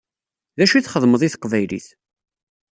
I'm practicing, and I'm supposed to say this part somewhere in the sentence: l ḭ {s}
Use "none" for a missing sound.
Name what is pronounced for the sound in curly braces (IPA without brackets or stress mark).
θ